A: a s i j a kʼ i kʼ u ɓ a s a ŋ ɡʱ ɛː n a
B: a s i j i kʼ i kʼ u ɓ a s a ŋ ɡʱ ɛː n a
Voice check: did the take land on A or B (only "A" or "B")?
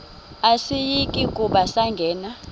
B